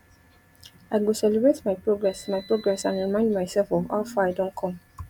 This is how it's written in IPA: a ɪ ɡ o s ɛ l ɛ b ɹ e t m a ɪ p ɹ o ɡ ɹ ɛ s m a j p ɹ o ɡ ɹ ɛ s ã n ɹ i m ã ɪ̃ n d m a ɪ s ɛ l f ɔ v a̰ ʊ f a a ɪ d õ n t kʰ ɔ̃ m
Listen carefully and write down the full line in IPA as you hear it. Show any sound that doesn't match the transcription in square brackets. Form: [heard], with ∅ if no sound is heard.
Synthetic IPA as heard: a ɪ ɡ o s ɛ l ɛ b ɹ e t m a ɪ p ɹ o ɡ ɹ ɛ s m a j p ɹ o ɡ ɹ ɛ s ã n ɹ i m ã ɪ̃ n d m a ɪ s ɛ l f ɔ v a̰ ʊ f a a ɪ d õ n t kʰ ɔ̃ m